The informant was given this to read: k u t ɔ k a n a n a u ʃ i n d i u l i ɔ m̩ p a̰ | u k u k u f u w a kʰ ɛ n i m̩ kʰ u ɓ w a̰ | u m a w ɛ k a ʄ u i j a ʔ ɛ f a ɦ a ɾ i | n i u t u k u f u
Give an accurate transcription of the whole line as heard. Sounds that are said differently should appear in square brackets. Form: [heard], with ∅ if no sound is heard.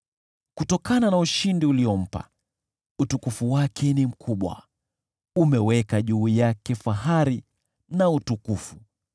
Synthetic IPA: k u t ɔ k a n a n a u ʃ i n d i u l i ɔ m̩ p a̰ | u [t] u k u f u w a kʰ ɛ n i m̩ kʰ u ɓ w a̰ | u m [ɛ] w ɛ k a ʄ u i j a [k] ɛ f a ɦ a ɾ i | n [a] u t u k u f u